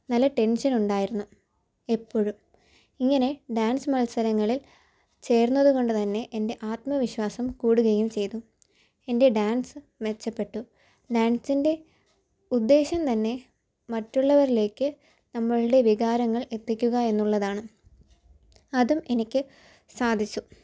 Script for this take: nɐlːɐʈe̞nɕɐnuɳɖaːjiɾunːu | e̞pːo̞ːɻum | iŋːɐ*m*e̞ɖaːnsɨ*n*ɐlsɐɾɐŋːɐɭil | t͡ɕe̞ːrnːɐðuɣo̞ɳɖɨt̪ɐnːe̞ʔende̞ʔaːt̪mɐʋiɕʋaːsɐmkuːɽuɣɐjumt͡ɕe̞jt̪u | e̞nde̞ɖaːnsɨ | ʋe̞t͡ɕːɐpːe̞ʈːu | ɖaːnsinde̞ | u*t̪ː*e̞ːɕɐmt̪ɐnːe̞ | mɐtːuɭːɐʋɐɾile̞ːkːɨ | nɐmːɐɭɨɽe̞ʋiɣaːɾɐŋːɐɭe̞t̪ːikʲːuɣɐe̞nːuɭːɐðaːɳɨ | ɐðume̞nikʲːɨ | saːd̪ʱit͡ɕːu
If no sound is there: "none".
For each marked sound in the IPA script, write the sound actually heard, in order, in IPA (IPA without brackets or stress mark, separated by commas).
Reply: n, m, d̪ː